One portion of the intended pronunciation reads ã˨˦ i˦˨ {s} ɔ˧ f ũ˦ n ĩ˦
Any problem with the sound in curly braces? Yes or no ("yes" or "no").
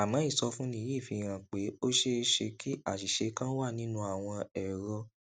no